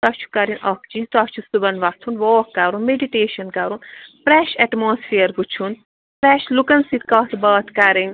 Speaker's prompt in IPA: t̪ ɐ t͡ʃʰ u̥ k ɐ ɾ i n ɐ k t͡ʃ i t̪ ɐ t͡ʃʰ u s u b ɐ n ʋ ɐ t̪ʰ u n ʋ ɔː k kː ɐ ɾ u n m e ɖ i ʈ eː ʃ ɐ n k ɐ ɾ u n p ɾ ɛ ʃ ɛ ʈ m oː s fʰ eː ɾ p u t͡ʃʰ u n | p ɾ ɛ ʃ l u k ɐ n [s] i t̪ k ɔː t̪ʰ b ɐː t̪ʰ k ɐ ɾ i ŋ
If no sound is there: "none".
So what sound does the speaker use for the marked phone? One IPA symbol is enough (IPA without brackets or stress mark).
s